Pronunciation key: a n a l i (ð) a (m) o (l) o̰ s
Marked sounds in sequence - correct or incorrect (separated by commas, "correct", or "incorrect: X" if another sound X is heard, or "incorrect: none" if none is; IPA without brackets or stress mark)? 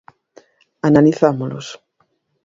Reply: incorrect: θ, correct, correct